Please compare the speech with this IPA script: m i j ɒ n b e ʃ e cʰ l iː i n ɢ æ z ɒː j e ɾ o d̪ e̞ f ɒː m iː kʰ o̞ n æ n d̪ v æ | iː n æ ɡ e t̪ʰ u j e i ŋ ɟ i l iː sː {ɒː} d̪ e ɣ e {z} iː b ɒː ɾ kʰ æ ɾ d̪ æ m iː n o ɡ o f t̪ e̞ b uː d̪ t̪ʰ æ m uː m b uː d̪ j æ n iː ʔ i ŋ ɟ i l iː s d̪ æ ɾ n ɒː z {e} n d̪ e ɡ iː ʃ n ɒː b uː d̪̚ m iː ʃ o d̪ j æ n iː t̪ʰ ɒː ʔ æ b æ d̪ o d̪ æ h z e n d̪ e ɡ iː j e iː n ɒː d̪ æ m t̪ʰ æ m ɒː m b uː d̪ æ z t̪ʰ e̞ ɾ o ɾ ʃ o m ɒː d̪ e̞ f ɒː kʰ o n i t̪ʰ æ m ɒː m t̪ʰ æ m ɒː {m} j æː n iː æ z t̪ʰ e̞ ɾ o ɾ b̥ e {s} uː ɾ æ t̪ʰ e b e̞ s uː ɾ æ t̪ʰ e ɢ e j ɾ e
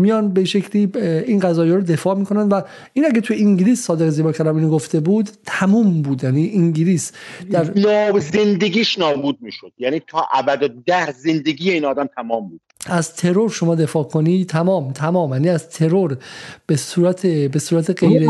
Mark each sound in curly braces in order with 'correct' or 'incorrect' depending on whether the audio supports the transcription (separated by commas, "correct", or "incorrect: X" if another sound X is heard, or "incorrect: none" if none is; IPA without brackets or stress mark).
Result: correct, correct, correct, correct, correct